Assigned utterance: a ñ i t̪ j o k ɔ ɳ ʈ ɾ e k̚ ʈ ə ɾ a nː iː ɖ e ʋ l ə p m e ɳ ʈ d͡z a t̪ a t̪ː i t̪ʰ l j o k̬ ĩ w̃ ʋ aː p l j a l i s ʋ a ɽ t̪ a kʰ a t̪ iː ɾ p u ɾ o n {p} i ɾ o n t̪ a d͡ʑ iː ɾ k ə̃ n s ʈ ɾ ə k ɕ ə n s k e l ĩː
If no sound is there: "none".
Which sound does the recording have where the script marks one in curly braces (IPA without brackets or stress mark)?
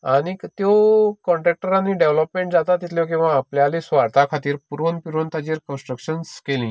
p